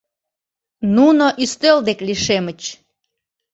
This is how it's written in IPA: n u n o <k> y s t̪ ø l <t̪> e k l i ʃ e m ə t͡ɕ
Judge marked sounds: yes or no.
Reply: no, no

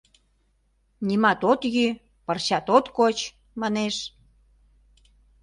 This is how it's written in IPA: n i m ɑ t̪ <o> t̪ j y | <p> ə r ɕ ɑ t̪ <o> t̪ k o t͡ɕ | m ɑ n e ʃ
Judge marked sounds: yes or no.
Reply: yes, yes, yes

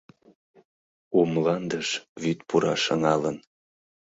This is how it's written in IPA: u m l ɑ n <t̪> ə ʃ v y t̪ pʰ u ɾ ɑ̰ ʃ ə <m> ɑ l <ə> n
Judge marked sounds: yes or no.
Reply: no, no, yes

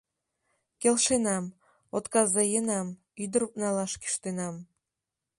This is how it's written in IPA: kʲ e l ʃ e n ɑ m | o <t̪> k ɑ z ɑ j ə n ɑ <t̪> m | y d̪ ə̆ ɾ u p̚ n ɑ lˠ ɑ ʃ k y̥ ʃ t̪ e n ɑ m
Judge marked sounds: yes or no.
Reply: yes, no

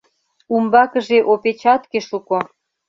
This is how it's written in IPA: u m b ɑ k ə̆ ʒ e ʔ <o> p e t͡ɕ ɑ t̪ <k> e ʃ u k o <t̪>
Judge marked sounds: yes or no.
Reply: yes, yes, no

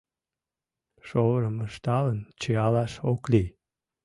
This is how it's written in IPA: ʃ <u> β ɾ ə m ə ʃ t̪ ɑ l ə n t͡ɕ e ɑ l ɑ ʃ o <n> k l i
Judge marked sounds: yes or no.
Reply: no, no

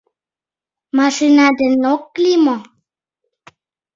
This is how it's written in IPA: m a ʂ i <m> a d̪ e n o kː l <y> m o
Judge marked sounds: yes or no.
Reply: no, no

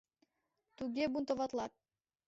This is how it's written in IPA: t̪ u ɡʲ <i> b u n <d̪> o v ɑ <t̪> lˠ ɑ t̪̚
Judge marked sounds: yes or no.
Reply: no, no, yes

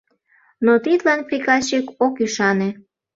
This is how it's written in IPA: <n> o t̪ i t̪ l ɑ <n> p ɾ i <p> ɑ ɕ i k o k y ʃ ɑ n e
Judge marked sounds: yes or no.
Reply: yes, yes, no

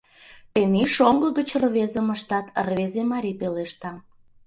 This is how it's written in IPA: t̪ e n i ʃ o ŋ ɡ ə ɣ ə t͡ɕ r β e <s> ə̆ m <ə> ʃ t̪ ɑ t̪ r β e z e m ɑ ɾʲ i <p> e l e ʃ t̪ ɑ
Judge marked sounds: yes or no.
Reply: no, yes, yes

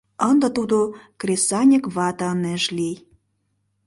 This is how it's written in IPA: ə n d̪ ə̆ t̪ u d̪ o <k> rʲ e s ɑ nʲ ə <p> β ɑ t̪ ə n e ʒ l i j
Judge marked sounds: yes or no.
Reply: yes, no

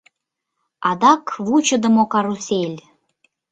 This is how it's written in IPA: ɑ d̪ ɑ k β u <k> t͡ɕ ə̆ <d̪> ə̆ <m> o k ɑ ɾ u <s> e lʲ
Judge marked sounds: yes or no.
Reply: no, yes, yes, yes

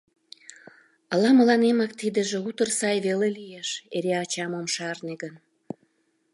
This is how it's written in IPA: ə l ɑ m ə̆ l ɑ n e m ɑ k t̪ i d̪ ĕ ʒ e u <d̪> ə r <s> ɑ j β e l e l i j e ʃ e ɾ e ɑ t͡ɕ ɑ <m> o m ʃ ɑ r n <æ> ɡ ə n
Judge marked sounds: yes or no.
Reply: no, yes, yes, no

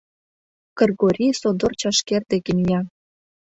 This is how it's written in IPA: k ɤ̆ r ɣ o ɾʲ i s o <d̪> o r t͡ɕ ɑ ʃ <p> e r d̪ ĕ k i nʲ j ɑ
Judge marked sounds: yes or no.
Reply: yes, no

